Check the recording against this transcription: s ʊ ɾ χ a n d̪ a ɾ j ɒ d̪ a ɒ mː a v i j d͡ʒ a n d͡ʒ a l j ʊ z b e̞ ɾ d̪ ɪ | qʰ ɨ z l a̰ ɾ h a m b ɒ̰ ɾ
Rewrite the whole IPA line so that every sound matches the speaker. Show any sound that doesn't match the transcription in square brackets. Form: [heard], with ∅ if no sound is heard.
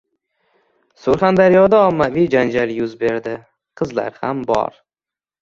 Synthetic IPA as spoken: s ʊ ɾ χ a n d̪ a ɾ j ɒ d̪ a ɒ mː a v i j d͡ʒ a n d͡ʒ a l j ʊ z b e̞ ɾ d̪ ɪ | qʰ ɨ z l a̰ ɾ h a m b ɒ̰ ɾ